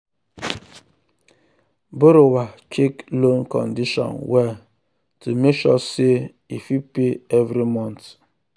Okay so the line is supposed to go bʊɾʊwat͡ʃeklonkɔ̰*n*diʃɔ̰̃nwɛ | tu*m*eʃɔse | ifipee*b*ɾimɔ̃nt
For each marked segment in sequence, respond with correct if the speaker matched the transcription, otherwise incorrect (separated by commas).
correct, correct, incorrect